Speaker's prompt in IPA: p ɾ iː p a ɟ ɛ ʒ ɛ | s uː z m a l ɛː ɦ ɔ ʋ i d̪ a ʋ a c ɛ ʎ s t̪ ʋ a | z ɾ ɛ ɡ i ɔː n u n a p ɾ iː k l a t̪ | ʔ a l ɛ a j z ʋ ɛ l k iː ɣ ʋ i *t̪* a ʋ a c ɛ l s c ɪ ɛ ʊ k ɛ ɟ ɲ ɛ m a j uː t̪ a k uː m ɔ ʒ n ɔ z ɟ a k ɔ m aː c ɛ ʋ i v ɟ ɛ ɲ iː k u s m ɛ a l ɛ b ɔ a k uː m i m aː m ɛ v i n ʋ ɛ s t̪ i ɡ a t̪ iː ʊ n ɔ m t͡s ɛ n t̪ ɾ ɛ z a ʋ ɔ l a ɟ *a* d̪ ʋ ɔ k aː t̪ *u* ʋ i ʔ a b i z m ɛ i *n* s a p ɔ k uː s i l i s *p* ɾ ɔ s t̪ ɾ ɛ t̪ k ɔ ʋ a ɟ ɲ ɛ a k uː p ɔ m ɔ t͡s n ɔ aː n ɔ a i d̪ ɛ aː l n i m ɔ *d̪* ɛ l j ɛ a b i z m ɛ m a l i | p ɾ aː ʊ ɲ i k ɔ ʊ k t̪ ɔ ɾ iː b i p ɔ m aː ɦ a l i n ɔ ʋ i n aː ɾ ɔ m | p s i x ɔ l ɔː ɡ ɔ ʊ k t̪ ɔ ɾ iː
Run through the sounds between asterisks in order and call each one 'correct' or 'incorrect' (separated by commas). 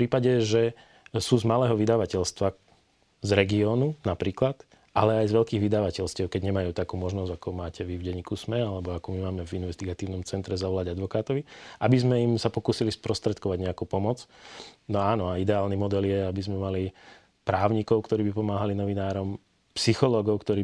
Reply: incorrect, correct, incorrect, incorrect, correct, correct